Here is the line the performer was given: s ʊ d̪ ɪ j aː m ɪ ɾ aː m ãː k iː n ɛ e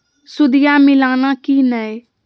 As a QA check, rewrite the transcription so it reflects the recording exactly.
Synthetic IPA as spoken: s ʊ d̪ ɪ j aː m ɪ l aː n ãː k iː n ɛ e